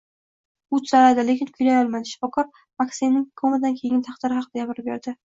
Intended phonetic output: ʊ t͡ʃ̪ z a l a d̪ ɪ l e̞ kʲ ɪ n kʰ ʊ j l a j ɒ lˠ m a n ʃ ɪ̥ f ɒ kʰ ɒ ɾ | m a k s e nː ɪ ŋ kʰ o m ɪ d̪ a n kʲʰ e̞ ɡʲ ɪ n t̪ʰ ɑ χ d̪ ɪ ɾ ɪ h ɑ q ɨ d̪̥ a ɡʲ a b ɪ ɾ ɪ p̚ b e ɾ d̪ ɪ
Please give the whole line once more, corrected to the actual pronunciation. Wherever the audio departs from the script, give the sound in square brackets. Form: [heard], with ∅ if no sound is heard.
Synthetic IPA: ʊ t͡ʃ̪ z a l a d̪ ɪ l e̞ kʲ ɪ n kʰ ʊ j l a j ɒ lˠ m a n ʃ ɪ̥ f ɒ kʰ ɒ ɾ | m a k s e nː ɪ ŋ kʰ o m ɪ d̪ a n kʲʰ e̞ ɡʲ ɪ n t̪ʰ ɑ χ d̪ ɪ ɾ ɪ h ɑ q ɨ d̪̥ a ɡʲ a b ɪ ɾ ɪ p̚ b e ɾ d̪ ɪ